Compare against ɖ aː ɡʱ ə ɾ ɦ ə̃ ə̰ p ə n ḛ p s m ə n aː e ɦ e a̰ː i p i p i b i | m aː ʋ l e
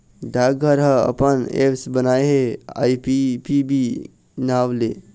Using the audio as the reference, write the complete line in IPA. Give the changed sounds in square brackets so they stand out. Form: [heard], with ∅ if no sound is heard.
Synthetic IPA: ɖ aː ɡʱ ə ɾ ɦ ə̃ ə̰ p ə n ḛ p s [b] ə n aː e ɦ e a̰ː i p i p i b i | [n] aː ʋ l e